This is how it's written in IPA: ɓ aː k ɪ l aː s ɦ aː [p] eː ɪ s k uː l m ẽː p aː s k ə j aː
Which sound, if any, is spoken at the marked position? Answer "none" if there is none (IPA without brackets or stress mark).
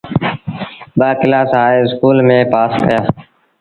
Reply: none